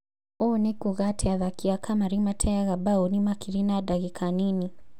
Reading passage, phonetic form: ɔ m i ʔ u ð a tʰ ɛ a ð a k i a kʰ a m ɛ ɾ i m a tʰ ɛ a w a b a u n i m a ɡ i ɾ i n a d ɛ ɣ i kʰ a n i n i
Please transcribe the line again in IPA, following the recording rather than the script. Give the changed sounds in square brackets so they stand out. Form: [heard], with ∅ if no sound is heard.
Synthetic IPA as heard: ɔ [n] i [k] u [ɣ] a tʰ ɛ a ð a k i a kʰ a m [a] ɾ i m a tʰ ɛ a [ɣ] a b a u n i m a [k] i ɾ i n a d [a] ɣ i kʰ a n i n i